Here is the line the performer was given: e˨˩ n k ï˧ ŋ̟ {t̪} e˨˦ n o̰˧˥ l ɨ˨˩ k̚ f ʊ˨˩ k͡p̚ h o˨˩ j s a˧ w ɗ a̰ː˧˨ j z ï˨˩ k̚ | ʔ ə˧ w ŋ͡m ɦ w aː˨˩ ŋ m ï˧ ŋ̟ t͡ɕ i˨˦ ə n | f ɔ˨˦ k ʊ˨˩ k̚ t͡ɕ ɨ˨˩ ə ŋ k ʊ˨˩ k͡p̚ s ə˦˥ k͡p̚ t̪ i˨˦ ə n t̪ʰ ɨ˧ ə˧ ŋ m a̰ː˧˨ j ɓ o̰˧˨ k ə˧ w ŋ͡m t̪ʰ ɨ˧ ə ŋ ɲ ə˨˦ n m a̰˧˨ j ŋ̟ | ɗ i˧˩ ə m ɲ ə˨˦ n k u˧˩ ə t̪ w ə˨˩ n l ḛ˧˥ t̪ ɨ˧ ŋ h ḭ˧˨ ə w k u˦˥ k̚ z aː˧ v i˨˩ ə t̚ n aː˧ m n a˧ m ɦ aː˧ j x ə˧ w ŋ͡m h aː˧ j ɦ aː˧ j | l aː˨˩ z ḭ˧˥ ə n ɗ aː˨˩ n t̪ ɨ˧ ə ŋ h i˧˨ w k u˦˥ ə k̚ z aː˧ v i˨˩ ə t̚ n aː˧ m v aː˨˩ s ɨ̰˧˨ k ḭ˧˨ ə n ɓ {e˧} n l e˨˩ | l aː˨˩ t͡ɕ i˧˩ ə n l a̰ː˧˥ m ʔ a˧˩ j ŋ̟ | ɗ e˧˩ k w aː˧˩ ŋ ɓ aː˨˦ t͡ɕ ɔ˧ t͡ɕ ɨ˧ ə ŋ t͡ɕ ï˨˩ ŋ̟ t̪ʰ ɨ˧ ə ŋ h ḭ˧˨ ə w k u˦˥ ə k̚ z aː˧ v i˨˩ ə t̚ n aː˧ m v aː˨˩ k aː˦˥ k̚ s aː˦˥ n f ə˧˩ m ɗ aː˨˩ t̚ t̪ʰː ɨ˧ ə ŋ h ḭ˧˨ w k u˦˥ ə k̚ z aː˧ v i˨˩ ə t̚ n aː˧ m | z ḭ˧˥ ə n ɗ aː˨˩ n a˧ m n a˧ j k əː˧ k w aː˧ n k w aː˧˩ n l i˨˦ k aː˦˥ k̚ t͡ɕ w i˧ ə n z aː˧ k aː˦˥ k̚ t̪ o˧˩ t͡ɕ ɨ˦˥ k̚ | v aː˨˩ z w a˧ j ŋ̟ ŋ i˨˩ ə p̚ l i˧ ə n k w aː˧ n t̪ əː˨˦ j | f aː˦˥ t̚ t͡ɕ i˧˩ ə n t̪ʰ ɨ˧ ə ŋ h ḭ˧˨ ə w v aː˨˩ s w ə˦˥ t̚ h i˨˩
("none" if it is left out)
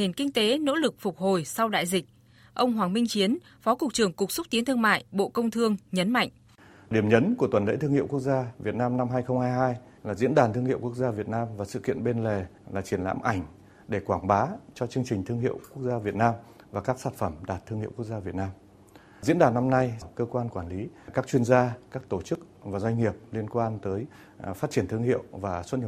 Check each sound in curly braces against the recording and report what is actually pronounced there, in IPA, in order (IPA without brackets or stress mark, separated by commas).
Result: t̪, e˧